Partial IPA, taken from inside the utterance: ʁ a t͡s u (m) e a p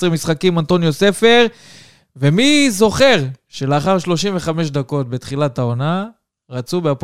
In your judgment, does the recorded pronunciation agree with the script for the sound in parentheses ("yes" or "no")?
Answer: no